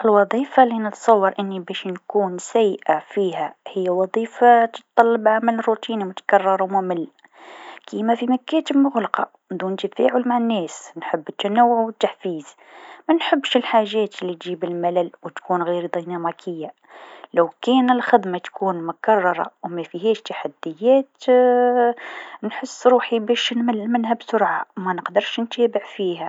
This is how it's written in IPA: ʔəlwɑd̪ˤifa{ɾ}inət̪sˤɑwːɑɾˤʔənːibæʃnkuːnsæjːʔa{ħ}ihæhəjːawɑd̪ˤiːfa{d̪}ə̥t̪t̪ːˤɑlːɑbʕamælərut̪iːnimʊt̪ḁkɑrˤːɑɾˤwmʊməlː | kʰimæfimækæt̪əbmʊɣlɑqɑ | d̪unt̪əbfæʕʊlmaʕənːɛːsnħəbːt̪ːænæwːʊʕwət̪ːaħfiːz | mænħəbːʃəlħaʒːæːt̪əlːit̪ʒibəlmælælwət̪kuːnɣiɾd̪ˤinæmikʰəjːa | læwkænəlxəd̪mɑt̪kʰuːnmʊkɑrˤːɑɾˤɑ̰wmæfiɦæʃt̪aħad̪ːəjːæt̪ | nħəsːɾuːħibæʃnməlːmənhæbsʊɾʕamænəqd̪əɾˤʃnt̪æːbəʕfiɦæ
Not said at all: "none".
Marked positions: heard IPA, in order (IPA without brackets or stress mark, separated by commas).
l, f, t̪